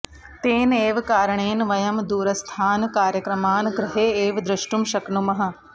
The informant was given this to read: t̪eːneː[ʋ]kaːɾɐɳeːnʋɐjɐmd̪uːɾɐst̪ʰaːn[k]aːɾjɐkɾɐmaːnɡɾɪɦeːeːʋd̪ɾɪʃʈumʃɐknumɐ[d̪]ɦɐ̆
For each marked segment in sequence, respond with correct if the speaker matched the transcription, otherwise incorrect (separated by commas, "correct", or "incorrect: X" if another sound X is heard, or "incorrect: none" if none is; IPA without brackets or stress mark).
correct, correct, incorrect: none